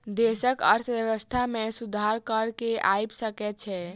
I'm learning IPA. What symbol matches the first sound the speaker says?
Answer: d̪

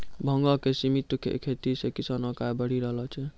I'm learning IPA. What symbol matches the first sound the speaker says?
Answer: bʱ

